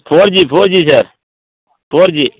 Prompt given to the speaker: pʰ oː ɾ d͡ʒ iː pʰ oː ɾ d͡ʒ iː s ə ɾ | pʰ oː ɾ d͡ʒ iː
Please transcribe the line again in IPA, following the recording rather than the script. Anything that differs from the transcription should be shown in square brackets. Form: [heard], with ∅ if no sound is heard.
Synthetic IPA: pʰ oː ɾ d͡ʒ iː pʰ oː ɾ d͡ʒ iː s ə ɾ | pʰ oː ɾ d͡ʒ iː